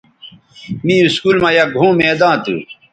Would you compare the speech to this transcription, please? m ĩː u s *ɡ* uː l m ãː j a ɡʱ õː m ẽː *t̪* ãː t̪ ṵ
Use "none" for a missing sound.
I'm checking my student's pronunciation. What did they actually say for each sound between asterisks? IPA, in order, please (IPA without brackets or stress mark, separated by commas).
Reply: k, d̪